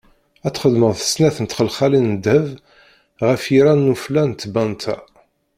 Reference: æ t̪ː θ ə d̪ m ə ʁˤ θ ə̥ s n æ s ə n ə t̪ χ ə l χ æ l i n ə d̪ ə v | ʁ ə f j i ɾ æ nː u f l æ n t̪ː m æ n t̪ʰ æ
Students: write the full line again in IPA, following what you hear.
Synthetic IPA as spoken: æ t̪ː χ ə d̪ m ə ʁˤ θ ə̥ s n æ θ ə n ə t̪ χ ə l χ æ l i n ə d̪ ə v | ʁ ə f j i ɾ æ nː u f l æ n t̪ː b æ n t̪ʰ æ

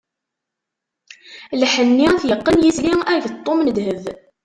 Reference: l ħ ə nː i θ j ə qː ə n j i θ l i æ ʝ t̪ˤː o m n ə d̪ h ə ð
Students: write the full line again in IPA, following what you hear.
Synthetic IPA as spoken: l ħ ə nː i θ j ə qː ə n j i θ l i æ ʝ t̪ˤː o m n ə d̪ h ə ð

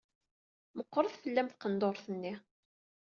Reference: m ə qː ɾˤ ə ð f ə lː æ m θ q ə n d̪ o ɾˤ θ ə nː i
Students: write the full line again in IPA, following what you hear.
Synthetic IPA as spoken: m ə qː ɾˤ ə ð f ə lː æ m θ q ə n d̪ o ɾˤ θ ə nː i

